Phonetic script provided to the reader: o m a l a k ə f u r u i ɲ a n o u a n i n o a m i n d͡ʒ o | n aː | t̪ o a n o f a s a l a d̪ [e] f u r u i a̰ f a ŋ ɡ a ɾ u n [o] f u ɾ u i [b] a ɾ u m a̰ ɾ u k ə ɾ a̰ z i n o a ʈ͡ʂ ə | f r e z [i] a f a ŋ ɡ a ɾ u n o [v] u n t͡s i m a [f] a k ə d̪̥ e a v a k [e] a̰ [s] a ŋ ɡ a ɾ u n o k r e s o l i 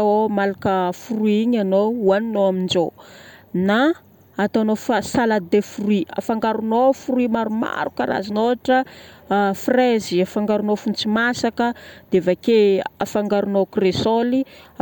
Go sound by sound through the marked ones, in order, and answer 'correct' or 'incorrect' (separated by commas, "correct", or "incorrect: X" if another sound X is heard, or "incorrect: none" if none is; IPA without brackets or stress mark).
correct, correct, incorrect: m, correct, incorrect: f, incorrect: s, correct, incorrect: f